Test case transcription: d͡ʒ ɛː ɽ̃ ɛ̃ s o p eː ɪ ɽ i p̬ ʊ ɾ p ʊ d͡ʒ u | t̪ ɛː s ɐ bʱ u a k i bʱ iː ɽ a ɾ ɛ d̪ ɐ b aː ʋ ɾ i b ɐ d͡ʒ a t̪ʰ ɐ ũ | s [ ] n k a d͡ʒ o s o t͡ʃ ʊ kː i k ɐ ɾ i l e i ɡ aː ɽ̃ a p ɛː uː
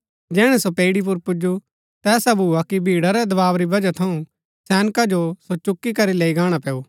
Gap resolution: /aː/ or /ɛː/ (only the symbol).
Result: ɛː